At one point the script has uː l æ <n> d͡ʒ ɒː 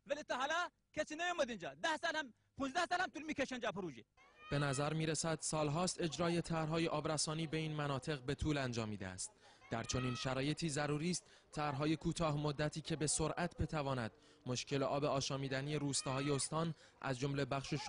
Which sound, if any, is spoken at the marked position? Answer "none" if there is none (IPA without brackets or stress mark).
n